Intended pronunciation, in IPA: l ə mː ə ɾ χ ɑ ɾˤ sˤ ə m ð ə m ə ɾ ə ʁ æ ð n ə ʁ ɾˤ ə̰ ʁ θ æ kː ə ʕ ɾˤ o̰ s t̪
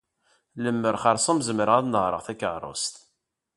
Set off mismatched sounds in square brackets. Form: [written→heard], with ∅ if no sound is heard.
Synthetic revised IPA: l ə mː ə ɾ χ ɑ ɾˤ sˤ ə m [ð→z] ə m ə ɾ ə ʁ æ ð n ə ʁ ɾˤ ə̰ ʁ θ æ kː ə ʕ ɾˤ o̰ s t̪